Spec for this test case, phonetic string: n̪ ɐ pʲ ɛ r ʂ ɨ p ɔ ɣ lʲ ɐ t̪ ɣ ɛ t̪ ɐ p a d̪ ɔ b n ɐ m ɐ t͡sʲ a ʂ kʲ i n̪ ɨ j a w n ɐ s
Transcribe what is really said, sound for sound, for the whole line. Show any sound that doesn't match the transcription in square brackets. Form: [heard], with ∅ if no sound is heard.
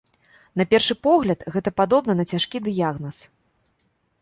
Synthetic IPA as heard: n̪ ɐ pʲ ɛ r ʂ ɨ p ɔ ɣ lʲ ɐ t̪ ɣ ɛ t̪ ɐ p a d̪ ɔ b n ɐ [n] ɐ t͡sʲ a ʂ kʲ i [d̪] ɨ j a [ɣ] n ɐ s